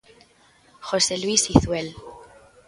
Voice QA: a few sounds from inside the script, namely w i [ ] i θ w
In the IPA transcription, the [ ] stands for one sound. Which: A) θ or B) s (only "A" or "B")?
B